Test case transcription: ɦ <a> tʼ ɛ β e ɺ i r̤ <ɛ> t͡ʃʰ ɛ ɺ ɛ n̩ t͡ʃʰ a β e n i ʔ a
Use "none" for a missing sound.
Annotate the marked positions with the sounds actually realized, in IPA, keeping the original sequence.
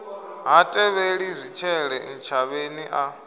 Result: a, i

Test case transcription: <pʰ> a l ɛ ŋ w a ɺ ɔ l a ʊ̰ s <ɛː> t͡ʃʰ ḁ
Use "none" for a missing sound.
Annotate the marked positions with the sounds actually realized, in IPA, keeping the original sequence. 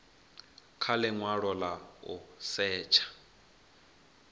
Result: kʰ, ɛː

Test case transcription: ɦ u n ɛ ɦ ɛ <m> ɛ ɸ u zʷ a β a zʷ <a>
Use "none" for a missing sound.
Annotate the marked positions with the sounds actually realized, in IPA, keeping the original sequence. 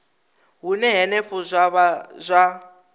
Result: n, a

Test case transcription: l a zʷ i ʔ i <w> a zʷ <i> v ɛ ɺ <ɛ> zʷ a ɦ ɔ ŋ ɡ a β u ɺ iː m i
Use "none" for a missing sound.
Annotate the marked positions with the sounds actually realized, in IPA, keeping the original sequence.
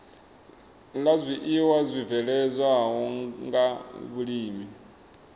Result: w, i, ɛ

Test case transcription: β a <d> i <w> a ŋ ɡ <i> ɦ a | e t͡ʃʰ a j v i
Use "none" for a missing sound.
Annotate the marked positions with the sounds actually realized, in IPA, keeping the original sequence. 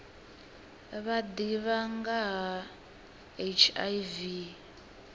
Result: d, β, a

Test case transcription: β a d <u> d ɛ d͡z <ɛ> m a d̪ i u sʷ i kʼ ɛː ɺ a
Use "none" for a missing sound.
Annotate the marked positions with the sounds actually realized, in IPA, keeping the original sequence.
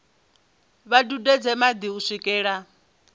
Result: u, ɛ

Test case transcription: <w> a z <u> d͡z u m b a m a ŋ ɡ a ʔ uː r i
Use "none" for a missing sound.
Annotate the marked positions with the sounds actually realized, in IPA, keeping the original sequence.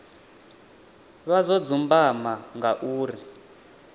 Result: β, ɔ

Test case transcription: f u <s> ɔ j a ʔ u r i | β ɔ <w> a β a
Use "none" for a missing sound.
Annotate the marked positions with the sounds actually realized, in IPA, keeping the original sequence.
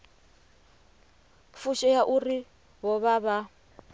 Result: ʃ, β

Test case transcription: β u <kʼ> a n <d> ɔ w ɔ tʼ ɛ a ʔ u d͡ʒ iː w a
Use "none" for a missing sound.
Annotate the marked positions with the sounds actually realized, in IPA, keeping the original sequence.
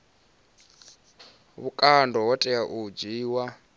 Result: kʼ, d

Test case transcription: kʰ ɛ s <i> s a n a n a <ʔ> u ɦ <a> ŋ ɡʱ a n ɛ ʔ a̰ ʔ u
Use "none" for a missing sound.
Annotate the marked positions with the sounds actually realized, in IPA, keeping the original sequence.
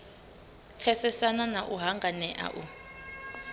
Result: ɛ, ʔ, a

